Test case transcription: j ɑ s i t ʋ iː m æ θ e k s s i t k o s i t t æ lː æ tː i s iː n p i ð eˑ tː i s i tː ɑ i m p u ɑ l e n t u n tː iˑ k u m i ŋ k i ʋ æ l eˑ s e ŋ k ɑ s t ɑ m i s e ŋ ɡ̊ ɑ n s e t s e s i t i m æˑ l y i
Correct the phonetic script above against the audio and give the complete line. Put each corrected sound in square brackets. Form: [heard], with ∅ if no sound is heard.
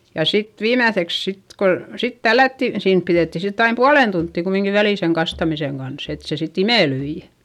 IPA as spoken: j ɑ s i t ʋ iː m æ θ e k s s i t k o s i t t æ lː æ tː i s iː n p i ð eˑ tː i s i tː ɑ i m p u ɑ l e n t u n tː iˑ k u m i ŋ k i ʋ æ l [iˑ] s e ŋ k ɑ s t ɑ m i s e ŋ ɡ̊ ɑ n s e t s e s i t i m [eˑ] l y i